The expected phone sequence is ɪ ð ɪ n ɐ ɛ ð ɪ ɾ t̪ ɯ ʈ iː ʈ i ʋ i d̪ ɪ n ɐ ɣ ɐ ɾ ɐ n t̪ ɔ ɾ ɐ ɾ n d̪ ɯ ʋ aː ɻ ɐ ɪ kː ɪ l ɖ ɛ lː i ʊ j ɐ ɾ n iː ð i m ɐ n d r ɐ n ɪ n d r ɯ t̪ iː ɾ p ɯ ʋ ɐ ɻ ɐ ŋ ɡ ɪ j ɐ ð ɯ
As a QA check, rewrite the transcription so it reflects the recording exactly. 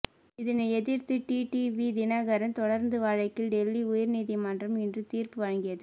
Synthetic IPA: ɪ ð ɪ n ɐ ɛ ð ɪ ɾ t̪ ɯ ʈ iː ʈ i ʋ i d̪ ɪ n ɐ ɣ ɐ ɾ ɐ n t̪ ɔ ɽ ɐ ɾ n d̪ ɯ ʋ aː ɻ ɐ ɪ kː ɪ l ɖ ɛ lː i ʊ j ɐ ɾ n iː ð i m ɐ n d r ɐ m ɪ n d r ɯ t̪ iː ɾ p ɯ ʋ ɐ ɻ ɐ ŋ ɡ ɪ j ɐ ð ɯ